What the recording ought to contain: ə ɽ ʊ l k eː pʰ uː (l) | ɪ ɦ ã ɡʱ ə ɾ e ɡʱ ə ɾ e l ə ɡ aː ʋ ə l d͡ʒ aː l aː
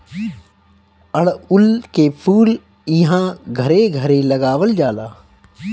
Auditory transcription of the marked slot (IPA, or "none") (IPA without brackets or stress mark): l